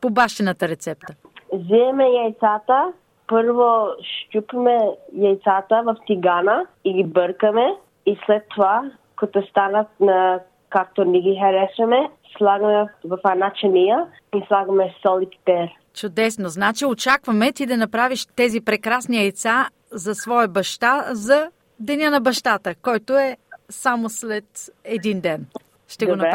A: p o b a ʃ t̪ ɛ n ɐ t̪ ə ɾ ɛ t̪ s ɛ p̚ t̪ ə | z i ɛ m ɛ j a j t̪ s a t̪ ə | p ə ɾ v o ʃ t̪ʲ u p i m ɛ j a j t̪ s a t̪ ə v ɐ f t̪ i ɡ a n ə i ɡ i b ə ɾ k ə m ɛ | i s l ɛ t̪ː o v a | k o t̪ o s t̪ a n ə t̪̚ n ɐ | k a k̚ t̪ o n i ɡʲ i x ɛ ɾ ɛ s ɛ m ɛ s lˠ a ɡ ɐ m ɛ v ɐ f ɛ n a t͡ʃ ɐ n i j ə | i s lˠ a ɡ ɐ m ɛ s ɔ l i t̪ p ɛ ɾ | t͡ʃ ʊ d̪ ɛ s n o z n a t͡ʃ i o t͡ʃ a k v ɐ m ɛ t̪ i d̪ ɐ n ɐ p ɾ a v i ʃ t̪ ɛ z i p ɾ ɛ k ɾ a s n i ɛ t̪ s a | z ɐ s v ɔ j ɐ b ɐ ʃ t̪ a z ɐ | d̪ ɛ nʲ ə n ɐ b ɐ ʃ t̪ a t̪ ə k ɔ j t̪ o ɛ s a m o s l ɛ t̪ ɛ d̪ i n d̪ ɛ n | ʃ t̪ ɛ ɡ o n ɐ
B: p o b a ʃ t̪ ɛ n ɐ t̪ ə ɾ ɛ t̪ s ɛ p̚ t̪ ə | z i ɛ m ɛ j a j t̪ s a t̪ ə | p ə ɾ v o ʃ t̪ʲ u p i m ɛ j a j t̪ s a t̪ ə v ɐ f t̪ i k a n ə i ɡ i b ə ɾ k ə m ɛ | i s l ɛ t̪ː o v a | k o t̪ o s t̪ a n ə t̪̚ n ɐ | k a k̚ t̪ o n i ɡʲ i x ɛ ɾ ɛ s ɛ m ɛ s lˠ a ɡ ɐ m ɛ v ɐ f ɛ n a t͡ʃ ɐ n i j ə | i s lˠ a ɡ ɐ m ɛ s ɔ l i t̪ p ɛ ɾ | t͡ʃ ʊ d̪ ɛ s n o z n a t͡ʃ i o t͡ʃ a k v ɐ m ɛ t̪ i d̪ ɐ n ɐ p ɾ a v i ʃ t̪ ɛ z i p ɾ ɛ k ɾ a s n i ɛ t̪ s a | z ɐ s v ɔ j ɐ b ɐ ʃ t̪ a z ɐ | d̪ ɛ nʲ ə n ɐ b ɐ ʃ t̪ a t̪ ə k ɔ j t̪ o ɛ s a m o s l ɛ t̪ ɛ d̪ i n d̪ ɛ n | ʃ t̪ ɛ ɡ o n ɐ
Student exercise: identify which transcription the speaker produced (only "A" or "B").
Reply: A